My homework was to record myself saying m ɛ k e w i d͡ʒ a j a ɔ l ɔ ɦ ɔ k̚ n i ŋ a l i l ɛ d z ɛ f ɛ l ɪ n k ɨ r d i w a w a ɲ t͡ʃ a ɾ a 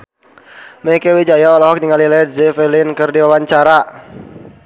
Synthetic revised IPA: m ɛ k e w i d͡ʒ a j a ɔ l ɔ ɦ ɔ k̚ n i ŋ a l i l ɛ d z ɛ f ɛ l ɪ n k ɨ r d i w a w a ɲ t͡ʃ a ɾ a